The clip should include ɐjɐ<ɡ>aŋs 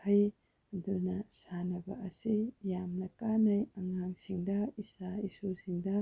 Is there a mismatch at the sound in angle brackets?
yes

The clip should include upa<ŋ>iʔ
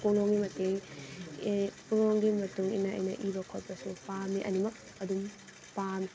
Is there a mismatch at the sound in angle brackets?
yes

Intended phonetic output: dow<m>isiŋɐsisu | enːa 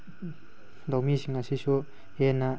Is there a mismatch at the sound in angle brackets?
no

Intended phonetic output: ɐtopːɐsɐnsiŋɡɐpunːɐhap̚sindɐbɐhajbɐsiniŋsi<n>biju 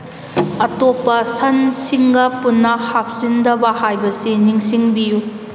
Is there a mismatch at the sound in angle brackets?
yes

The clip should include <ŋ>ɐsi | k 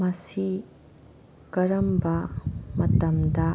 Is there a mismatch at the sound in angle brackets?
yes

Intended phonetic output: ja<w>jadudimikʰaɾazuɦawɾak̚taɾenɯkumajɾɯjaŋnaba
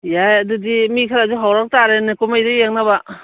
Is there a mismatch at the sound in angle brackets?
yes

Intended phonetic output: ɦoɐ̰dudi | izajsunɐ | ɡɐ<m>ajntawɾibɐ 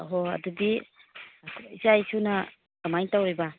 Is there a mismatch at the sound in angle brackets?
no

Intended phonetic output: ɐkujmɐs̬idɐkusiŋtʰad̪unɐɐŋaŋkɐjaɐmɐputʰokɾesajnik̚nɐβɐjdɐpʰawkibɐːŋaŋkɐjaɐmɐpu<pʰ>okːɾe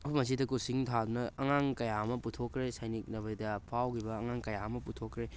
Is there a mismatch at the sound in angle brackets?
yes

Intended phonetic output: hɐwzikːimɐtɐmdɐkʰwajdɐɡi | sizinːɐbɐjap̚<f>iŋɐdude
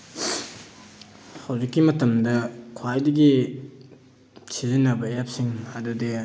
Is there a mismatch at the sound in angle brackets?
yes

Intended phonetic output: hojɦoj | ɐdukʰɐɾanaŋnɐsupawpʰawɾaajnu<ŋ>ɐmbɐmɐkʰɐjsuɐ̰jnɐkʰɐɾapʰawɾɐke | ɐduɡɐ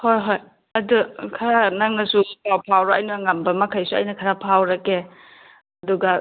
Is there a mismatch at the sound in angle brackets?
no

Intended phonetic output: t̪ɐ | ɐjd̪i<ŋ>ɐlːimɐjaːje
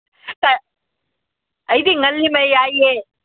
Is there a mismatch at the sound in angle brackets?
no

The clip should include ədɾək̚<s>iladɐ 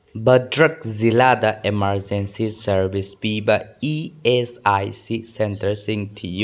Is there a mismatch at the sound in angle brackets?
yes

